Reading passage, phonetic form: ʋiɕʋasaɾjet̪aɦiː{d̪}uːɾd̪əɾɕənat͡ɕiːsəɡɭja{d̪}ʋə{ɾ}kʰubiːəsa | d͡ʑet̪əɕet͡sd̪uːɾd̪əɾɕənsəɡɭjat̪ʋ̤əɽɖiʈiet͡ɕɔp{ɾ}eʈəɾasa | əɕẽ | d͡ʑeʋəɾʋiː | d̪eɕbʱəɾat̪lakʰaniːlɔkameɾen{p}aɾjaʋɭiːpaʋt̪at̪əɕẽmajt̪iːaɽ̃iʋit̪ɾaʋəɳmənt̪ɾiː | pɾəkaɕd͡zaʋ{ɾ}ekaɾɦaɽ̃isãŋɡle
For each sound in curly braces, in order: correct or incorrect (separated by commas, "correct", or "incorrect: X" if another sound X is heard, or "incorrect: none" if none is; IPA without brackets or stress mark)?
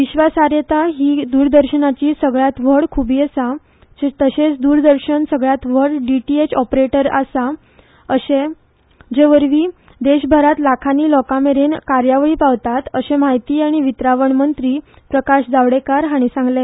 correct, incorrect: t̪, incorrect: ɽ, correct, incorrect: k, incorrect: ɽ